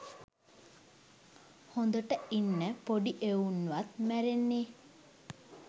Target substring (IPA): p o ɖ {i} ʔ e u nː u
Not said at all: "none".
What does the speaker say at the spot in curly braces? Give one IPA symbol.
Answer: i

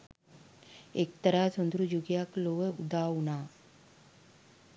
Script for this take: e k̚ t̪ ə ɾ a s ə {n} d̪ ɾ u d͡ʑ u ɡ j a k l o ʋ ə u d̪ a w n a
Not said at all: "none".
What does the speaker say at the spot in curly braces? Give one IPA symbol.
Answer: n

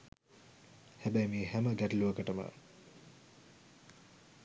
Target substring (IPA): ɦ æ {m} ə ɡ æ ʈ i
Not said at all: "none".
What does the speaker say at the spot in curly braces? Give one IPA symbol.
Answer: m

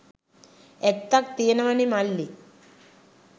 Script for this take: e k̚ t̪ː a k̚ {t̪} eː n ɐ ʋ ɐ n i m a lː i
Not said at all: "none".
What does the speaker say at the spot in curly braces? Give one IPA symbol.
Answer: t̪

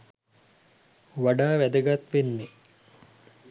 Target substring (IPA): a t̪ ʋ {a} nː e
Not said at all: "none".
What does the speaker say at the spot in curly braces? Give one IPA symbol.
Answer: e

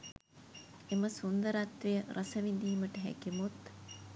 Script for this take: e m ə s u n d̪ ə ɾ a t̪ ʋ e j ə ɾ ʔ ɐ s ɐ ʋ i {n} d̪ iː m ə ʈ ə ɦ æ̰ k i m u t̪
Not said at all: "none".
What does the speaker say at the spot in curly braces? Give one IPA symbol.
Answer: n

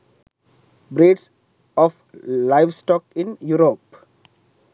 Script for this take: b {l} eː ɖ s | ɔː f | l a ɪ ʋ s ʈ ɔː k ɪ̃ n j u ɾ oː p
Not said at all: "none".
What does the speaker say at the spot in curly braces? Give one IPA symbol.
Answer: ɾ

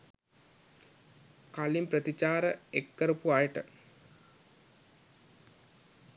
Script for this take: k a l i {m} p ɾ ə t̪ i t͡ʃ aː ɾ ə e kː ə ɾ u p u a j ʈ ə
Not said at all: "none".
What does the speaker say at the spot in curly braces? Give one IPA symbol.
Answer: m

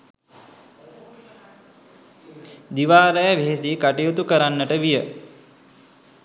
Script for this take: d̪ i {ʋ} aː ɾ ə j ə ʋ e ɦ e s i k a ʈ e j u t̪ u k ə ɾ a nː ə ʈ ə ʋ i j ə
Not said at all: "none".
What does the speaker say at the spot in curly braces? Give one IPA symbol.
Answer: ʋ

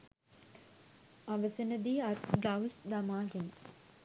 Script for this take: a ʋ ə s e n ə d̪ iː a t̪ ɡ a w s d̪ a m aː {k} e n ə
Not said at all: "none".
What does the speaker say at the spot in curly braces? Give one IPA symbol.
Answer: ɡ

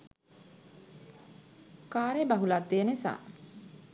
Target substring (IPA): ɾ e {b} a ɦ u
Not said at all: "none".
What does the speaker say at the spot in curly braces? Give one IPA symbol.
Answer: b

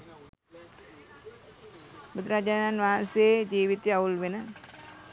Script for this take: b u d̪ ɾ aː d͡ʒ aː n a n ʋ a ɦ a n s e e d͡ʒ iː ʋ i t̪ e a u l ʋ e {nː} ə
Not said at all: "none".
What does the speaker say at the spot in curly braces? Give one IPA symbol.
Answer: n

